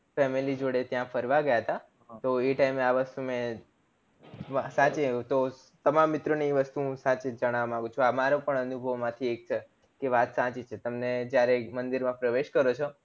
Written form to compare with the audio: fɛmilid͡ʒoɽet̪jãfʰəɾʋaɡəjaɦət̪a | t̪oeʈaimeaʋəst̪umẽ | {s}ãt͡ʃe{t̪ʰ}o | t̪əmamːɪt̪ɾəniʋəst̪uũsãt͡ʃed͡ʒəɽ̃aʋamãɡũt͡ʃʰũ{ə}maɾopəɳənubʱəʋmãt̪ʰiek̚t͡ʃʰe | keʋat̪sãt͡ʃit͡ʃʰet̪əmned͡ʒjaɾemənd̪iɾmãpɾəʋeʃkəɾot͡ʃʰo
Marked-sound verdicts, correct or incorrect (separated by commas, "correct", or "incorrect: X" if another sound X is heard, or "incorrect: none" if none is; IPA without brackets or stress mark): correct, incorrect: t̪, incorrect: a